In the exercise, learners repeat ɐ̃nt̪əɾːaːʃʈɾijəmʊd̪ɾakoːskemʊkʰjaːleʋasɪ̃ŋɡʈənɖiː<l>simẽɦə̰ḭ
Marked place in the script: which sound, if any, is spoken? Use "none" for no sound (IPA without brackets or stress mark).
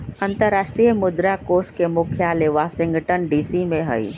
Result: none